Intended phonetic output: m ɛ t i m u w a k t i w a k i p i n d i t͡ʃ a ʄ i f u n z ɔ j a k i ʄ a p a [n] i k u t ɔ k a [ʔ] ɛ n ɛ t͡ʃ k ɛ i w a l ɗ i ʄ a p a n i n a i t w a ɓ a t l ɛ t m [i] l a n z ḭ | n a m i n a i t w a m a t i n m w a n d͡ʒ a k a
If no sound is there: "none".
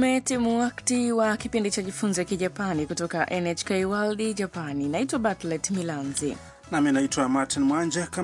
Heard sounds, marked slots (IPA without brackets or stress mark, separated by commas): n, ʔ, i